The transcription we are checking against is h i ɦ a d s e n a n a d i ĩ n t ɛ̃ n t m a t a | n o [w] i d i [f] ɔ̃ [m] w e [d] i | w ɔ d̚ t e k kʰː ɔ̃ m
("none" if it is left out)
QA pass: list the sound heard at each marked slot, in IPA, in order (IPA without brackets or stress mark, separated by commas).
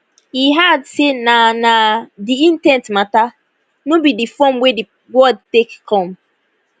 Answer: b, f, m, d